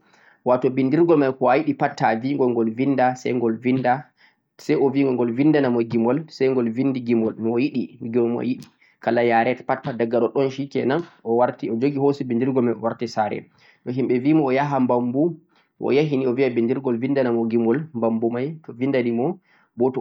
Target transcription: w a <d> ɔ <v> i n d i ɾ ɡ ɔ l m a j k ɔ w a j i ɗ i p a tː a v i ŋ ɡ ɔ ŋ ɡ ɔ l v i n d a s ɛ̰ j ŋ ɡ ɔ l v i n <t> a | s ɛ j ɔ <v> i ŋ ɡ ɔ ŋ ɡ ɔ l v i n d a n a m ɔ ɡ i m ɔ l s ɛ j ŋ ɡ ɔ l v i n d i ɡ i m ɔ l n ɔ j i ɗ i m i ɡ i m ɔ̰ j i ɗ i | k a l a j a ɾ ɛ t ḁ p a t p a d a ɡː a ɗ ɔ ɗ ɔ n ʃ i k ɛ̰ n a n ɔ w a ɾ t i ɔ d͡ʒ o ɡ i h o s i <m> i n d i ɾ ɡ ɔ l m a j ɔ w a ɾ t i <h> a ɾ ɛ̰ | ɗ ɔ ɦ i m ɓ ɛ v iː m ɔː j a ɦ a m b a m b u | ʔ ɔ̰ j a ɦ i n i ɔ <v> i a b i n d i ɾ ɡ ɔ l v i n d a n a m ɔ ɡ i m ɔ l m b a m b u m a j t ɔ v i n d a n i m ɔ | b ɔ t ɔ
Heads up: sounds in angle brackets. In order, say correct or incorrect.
incorrect, incorrect, incorrect, correct, incorrect, incorrect, correct

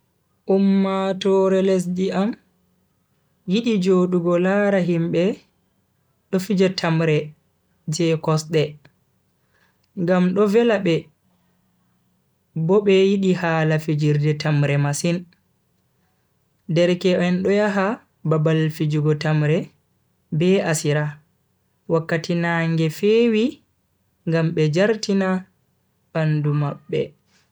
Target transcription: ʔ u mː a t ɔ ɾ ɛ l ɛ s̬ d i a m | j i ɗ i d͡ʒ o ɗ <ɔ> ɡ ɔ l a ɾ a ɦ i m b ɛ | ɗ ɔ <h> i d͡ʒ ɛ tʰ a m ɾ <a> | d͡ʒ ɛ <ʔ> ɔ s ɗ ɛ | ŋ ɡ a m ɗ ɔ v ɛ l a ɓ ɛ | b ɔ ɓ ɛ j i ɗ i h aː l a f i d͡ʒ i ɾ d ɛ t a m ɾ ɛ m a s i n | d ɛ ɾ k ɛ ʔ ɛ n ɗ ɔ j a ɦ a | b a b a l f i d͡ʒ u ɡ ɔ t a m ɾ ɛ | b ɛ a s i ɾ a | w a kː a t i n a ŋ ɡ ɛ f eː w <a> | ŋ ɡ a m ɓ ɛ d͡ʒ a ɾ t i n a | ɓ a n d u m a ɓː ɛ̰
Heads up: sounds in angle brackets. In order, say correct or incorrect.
incorrect, incorrect, incorrect, incorrect, incorrect

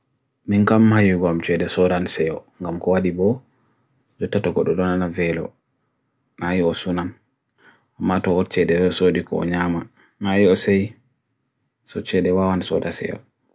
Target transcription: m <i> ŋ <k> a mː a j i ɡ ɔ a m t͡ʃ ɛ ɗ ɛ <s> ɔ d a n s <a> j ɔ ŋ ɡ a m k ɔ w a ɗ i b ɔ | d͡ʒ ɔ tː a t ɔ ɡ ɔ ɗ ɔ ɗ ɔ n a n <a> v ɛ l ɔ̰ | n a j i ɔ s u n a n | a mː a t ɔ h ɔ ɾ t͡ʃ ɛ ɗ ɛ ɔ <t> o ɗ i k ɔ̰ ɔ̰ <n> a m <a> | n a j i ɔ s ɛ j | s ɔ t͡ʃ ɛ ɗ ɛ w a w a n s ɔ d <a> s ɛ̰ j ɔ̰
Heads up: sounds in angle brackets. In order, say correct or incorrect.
correct, correct, correct, incorrect, correct, incorrect, incorrect, correct, correct

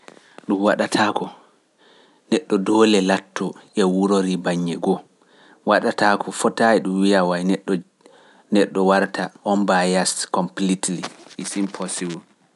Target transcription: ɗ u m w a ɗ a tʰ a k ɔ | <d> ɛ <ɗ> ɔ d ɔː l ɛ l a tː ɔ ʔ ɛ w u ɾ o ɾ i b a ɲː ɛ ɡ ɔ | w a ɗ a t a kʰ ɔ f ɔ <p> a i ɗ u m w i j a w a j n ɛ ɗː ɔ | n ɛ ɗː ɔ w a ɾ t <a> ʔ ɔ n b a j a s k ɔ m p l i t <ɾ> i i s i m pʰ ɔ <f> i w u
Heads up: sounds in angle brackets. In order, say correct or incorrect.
incorrect, incorrect, incorrect, correct, incorrect, incorrect

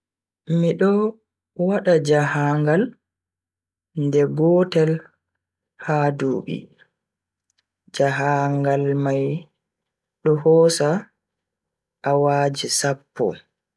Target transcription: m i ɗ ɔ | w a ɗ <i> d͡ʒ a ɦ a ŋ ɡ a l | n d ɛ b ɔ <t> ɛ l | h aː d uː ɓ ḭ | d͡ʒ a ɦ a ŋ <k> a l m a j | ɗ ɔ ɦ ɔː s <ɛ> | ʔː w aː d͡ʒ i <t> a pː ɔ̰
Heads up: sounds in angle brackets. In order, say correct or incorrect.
incorrect, correct, incorrect, incorrect, incorrect

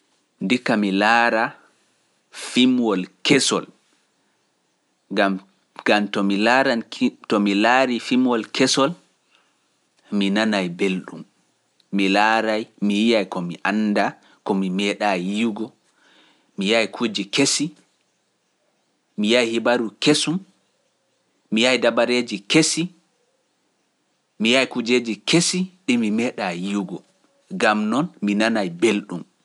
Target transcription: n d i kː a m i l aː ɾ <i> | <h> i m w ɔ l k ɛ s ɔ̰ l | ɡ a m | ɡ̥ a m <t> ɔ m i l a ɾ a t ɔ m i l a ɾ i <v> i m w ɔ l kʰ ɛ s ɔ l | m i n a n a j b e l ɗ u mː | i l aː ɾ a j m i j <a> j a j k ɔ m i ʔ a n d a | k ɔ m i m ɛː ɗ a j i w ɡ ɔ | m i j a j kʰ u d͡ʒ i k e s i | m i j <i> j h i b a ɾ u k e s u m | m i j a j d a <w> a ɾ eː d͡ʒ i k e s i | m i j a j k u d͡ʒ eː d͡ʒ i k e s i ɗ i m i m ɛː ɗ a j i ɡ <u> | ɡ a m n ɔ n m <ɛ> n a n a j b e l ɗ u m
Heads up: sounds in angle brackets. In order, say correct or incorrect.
incorrect, incorrect, correct, incorrect, incorrect, incorrect, incorrect, incorrect, incorrect

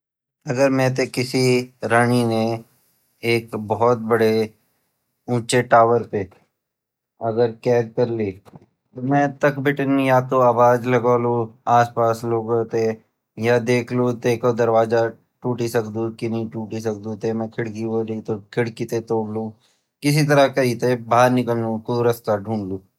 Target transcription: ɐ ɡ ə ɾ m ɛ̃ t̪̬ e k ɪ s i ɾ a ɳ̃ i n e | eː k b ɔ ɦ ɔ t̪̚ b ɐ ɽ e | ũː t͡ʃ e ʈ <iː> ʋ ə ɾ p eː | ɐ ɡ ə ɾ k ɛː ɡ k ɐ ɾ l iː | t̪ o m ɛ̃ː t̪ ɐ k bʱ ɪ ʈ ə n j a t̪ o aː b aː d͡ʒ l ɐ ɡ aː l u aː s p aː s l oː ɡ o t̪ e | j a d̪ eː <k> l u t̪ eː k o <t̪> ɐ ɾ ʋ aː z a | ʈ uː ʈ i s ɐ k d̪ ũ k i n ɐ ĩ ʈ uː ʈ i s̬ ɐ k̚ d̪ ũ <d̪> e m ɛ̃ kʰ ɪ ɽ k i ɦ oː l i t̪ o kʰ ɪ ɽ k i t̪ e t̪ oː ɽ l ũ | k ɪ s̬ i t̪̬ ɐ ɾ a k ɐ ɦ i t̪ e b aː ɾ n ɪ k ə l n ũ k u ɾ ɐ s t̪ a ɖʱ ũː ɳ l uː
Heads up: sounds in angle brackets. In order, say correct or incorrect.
incorrect, incorrect, incorrect, incorrect

